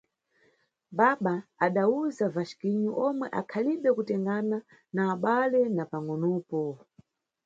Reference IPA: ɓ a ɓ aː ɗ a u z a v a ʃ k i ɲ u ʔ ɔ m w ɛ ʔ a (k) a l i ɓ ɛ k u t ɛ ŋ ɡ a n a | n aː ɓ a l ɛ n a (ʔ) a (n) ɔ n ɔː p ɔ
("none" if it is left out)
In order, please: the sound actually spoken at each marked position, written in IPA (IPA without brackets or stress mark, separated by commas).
kʰ, p, ŋ